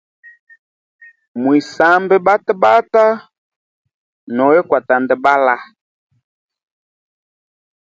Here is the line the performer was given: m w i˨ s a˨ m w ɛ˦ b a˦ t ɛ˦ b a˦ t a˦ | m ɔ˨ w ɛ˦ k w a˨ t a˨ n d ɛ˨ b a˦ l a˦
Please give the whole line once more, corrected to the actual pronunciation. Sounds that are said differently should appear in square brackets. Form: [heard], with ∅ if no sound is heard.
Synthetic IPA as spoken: m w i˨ s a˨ m [b] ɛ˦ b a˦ t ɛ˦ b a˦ t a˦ | [n] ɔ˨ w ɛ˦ k w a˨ t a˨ n d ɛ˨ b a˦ l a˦

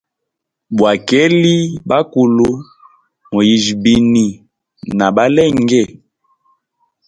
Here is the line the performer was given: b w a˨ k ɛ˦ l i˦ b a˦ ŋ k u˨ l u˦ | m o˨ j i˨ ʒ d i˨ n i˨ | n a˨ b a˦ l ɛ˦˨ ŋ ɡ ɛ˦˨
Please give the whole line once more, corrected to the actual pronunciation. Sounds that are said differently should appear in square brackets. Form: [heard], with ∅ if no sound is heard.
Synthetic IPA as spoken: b w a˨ k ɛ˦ l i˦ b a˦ [∅] k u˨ l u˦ | m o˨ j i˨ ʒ [b] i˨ n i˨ | n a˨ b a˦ l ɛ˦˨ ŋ ɡ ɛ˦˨

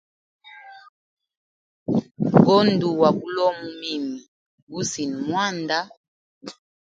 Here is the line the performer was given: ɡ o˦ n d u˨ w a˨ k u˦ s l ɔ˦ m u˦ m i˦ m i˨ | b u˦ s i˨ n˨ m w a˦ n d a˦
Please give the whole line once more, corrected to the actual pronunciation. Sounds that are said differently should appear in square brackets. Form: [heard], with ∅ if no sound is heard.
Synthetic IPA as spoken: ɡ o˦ n d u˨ w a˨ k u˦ [∅] l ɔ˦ m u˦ m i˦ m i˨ | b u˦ s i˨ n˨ m w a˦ n d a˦

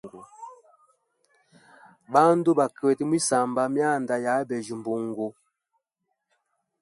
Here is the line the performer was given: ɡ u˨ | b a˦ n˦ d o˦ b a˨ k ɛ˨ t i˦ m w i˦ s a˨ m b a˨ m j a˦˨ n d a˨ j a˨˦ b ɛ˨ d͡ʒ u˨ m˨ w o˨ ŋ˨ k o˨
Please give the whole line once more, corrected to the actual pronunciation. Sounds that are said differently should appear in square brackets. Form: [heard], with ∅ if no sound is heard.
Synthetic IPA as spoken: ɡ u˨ | b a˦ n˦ d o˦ b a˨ k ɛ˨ t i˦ m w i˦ s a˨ m b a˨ m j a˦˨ n d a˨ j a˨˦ b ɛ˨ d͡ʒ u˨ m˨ [b] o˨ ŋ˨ [ɡ] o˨

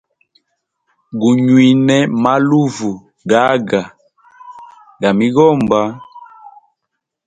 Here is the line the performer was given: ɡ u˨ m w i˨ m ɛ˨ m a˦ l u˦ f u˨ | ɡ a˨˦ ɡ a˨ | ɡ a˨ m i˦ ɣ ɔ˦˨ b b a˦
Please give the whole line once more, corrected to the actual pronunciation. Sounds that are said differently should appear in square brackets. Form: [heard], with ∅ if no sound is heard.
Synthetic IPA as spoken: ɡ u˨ [ɲ] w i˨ [n] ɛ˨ m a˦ l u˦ [v] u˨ | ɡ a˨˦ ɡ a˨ | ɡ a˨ m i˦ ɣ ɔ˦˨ [m] b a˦

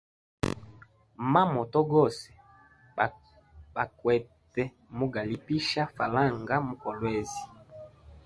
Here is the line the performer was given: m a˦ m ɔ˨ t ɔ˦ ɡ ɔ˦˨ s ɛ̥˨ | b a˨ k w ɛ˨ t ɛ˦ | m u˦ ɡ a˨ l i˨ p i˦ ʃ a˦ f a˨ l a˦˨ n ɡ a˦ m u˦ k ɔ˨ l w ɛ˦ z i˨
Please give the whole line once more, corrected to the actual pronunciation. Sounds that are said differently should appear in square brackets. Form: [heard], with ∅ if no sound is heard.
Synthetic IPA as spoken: m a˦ m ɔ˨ t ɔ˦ ɡ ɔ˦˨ s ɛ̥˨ | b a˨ k w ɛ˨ t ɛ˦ | m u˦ ɡ a˨ l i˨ p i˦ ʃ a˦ f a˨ l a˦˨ [ŋ] ɡ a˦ m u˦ k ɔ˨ l w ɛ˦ z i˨

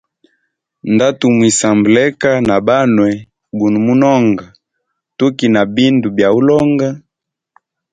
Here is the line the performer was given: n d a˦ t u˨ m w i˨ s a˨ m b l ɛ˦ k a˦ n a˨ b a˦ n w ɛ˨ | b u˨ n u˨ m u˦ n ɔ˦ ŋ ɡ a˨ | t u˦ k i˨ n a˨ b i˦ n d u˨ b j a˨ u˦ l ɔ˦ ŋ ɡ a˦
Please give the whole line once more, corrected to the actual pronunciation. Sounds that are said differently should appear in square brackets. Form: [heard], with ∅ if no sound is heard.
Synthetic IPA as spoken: n d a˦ t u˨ m w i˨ s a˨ m b l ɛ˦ k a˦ n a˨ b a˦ n w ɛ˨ | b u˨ n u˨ m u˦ n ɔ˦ ŋ ɡ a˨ | t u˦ k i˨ n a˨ b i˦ n d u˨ b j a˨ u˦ l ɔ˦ ŋ ɡ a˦

